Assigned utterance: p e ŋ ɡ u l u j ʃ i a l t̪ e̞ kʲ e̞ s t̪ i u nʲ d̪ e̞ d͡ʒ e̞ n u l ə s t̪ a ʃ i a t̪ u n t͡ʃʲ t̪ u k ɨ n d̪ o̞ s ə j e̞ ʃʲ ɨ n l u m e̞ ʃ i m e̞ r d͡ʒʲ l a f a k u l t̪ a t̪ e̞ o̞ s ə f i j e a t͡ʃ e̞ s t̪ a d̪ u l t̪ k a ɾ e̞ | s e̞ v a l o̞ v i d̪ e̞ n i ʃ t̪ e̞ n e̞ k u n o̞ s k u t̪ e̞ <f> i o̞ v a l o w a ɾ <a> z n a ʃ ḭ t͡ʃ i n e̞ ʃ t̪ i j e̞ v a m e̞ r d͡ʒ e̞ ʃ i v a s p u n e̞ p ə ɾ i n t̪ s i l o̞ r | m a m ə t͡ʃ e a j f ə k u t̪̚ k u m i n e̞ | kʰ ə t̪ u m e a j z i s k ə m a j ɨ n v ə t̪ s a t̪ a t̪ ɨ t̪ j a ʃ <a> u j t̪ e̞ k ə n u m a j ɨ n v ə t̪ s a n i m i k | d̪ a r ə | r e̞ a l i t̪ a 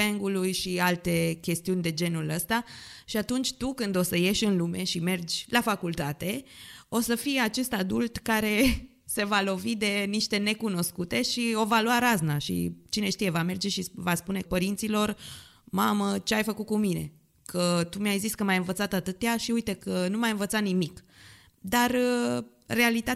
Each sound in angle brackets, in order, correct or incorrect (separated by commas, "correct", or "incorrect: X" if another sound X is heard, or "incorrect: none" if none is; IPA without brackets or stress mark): incorrect: ʃ, correct, incorrect: i